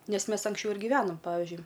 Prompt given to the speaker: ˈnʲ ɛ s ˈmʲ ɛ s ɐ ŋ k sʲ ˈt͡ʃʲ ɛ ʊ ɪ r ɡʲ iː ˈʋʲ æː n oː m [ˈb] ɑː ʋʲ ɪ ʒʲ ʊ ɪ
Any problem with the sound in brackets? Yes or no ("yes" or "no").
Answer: yes